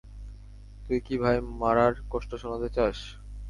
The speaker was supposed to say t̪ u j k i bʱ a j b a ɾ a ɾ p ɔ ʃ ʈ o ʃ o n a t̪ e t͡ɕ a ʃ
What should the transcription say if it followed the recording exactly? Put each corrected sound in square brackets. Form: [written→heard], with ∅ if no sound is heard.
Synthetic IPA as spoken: t̪ u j k i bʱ a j [b→m] a ɾ a ɾ [p→k] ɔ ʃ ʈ o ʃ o n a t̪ e t͡ɕ a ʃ